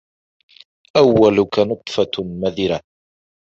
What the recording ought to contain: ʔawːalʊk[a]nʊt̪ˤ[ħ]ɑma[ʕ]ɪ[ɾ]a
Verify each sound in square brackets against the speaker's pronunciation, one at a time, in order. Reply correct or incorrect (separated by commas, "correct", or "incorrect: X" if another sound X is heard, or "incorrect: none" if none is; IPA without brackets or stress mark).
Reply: correct, incorrect: f, incorrect: ð, correct